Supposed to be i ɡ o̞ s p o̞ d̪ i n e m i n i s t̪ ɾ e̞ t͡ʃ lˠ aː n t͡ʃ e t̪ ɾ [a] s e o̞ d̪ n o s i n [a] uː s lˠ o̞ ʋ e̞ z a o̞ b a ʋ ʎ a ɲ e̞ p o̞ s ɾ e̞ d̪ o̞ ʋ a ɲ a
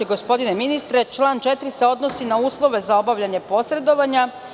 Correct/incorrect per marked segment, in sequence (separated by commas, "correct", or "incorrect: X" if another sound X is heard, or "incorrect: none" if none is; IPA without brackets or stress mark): incorrect: i, correct